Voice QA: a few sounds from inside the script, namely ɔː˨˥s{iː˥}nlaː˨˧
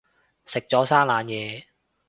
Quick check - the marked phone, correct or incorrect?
incorrect